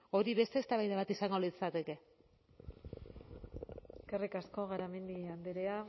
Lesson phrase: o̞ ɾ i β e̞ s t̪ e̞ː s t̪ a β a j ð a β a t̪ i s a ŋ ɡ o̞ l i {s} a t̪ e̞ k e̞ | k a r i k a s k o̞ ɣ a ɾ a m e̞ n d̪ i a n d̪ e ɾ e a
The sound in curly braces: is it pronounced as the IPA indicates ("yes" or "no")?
no